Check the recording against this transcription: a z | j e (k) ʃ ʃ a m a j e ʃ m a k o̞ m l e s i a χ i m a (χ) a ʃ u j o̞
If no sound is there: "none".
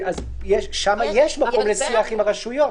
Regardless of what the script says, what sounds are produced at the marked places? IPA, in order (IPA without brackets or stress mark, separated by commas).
none, ʁ